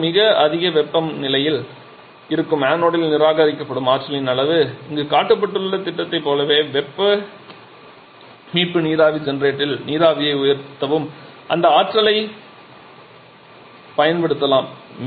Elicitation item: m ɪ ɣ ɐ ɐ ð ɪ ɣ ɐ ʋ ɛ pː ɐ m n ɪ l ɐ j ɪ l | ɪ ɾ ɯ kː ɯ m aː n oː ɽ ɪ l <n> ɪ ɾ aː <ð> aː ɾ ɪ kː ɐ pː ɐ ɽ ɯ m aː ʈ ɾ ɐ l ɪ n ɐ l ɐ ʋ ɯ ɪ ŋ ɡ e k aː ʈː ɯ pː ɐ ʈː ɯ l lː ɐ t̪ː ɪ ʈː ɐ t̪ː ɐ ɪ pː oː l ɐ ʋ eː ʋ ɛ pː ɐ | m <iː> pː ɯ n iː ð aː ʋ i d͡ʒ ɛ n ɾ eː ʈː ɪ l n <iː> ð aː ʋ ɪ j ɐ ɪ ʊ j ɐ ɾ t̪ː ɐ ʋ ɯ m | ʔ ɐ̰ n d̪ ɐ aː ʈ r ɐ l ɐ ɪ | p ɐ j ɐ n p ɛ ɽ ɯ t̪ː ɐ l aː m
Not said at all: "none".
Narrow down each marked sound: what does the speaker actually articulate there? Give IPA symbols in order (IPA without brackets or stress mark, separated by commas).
n, ɣ, iː, iː